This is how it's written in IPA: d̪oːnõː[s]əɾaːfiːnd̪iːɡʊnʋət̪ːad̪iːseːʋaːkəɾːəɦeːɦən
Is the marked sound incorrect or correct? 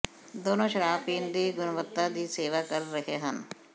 incorrect